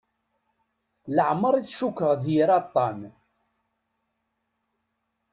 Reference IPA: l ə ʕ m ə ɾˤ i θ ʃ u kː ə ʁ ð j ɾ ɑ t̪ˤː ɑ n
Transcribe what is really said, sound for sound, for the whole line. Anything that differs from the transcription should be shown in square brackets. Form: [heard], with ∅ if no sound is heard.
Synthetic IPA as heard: l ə ʕ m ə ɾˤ i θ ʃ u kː ə ʁ ð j ɾ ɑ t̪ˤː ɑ n